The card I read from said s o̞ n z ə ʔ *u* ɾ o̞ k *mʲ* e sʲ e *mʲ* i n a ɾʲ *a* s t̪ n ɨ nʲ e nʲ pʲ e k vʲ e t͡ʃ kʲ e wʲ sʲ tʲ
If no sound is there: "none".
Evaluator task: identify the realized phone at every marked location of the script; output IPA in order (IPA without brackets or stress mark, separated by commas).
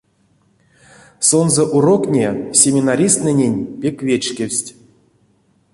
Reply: u, nʲ, mʲ, i